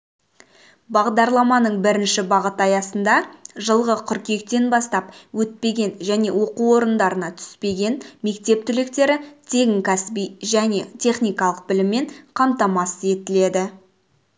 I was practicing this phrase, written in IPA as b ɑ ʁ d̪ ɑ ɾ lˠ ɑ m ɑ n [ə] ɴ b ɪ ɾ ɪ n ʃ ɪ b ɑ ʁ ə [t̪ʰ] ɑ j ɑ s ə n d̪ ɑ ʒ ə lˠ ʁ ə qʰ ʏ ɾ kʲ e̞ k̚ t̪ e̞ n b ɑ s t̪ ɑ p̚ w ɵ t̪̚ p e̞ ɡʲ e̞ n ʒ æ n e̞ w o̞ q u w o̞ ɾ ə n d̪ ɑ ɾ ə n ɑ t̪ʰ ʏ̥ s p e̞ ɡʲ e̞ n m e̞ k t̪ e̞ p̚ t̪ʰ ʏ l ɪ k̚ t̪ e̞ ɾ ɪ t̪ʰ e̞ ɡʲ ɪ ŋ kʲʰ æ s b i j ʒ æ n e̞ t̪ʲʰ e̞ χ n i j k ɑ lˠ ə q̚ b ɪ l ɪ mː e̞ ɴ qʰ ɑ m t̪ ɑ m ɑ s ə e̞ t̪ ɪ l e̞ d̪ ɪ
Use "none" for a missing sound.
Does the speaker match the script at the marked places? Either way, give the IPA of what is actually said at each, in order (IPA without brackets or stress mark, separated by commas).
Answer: ə, t̪